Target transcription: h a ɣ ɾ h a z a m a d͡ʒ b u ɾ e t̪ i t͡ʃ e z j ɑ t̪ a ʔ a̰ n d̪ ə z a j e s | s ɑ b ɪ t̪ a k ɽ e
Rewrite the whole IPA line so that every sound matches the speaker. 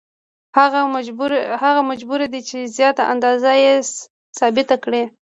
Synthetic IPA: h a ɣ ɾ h a ɣ a m a d͡ʒ b u ɾ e d̪ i t͡ʃ e z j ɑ t̪ a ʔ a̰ n d̪ ɑ z a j e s | s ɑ b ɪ t̪ a k ɽ e